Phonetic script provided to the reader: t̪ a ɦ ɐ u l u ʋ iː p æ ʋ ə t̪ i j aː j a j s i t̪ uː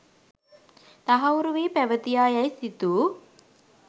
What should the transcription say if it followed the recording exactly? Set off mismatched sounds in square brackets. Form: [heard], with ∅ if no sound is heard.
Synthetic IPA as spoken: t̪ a ɦ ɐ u [ɾ] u ʋ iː p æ ʋ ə t̪ i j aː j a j s i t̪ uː